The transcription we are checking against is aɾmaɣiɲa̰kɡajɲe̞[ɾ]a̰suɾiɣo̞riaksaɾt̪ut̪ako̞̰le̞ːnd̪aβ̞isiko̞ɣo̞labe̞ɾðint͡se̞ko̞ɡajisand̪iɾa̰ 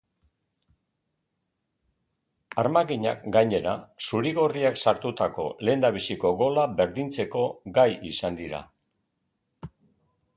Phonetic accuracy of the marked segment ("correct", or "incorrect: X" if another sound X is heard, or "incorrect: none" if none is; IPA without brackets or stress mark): correct